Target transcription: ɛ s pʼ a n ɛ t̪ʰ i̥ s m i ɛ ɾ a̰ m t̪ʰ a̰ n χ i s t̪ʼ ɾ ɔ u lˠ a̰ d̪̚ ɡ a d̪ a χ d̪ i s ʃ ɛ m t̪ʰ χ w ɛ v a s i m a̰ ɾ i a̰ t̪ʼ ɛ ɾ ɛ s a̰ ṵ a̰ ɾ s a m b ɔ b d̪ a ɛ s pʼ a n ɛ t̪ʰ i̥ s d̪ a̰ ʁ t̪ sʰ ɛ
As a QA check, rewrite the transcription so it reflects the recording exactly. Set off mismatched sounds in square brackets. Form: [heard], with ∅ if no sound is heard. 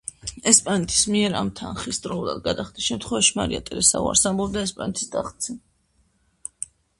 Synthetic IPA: ɛ s pʼ a n ɛ t̪ʰ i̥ s m i ɛ ɾ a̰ m t̪ʰ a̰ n χ i s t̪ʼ ɾ ɔ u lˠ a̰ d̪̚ ɡ a d̪ a χ d̪ i s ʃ ɛ m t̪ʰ χ w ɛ v a [ʃ] i m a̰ ɾ i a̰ t̪ʼ ɛ ɾ ɛ s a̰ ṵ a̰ ɾ s a m b ɔ b d̪ a ɛ s pʼ a n ɛ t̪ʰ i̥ s d̪ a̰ [χ] t̪ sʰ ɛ